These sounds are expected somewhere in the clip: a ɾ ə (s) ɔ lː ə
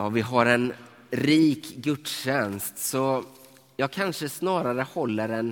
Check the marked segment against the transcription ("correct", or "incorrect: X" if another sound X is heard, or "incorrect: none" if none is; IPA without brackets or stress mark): incorrect: h